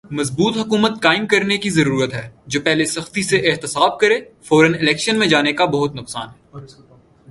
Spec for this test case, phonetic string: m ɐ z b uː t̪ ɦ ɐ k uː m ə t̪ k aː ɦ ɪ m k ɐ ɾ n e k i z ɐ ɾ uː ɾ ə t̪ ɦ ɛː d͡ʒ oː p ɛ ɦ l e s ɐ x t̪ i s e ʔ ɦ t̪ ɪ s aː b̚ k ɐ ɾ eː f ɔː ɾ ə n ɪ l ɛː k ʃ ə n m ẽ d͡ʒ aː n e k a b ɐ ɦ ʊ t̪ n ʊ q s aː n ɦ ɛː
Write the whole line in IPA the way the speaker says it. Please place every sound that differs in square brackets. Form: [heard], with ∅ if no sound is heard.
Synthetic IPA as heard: m ɐ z b uː t̪ ɦ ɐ k uː m ə t̪ k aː [∅] ɪ m k ɐ ɾ n e k i z ɐ ɾ uː ɾ ə t̪ ɦ ɛː d͡ʒ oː p ɛ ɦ l e s ɐ x t̪ i s e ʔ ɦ t̪ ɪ s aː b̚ k ɐ ɾ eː f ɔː ɾ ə n ɪ l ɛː k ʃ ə n m ẽ d͡ʒ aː n e k a b ɐ ɦ ʊ t̪ n ʊ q s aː n ɦ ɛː